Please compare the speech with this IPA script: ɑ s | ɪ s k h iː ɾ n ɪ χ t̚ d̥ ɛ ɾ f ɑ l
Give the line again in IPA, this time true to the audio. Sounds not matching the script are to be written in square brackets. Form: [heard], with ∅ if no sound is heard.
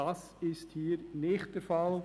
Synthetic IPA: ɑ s | ɪ s [t] h iː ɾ n ɪ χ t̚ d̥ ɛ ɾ f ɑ l